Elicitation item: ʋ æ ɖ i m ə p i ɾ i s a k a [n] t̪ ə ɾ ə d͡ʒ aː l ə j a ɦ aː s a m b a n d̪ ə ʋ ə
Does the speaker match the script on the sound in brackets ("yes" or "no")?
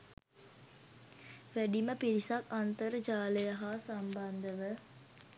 yes